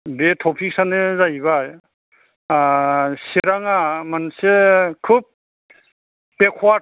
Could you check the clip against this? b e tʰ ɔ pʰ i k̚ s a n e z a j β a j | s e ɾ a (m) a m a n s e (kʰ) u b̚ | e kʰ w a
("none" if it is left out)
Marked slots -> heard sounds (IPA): ŋ, kʰ

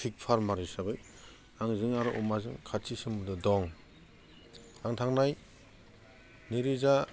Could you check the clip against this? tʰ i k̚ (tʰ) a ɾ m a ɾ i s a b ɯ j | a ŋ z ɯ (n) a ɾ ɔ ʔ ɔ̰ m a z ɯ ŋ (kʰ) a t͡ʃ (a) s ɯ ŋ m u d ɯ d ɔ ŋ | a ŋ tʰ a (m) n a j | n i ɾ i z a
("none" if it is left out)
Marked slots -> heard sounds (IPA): pʰ, ŋ, kʰ, i, ŋ

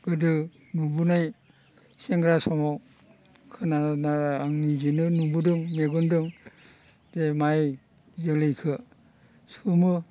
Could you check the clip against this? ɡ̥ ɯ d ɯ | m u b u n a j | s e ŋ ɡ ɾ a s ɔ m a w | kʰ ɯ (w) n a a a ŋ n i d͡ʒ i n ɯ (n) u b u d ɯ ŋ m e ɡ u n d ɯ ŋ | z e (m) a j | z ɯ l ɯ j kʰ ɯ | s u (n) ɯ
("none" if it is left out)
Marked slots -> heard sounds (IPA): none, n, m, m

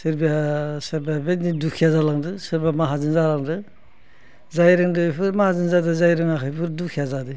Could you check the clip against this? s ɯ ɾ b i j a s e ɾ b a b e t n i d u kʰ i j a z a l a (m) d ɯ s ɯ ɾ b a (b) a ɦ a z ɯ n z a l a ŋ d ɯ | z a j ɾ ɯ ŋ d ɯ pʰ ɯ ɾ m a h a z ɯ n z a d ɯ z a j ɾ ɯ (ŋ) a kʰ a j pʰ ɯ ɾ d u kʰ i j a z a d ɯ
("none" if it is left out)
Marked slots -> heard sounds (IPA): ŋ, m, ŋ

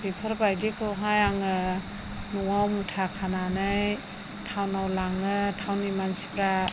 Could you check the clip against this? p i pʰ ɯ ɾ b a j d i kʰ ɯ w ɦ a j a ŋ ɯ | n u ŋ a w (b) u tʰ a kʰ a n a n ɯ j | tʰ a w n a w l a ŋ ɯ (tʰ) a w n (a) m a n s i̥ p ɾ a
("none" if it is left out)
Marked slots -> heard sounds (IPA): m, tʰ, i

